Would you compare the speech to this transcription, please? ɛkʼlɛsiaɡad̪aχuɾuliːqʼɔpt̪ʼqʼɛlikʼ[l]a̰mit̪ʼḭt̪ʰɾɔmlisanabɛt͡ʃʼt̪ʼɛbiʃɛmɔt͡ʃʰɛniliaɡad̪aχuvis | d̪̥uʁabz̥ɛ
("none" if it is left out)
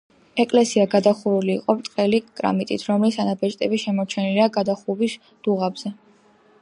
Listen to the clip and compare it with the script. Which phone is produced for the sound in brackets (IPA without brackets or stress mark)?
ɾ